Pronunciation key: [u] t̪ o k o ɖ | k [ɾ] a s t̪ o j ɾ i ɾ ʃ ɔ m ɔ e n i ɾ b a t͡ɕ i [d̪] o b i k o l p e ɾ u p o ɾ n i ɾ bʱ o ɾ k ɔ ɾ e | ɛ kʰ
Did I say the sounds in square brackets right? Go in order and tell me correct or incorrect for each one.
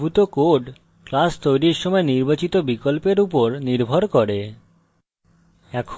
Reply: correct, incorrect, incorrect

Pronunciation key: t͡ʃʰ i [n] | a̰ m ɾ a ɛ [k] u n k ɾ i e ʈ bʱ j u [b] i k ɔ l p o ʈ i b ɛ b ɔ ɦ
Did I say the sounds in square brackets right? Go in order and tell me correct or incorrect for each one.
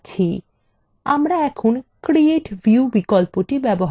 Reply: incorrect, incorrect, correct

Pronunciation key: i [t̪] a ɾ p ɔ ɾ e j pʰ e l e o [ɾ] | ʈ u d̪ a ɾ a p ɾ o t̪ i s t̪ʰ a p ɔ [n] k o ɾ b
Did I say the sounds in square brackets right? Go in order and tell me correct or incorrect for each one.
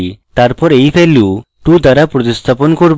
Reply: correct, incorrect, correct

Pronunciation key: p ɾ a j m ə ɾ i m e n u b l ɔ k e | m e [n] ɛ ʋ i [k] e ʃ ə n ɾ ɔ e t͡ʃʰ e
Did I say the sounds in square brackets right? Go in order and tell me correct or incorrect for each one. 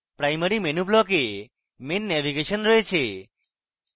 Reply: incorrect, incorrect

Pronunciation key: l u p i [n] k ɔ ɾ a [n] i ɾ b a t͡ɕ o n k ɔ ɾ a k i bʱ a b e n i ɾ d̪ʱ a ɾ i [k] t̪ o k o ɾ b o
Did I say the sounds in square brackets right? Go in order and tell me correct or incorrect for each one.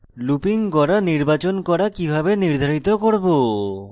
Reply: incorrect, correct, incorrect

